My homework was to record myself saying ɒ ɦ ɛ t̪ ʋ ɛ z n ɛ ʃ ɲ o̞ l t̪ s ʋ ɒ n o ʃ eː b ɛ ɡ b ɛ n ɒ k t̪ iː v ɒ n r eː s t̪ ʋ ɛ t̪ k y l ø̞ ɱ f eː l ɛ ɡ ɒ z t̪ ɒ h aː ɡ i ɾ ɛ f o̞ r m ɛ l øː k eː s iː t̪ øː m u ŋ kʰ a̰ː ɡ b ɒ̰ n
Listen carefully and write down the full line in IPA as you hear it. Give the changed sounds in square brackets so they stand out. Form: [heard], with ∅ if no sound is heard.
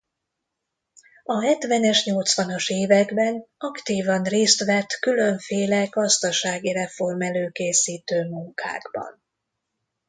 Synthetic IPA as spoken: ɒ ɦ ɛ t̪ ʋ ɛ [∅] n ɛ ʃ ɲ o̞ l t̪ s ʋ ɒ n o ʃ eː [v] ɛ ɡ b ɛ n ɒ k t̪ iː v ɒ n r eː s t̪ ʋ ɛ t̪ k y l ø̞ ɱ f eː l ɛ ɡ ɒ z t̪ ɒ [ʃ] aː ɡ i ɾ ɛ f o̞ r m ɛ l øː k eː s iː t̪ øː m u ŋ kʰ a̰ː ɡ b ɒ̰ n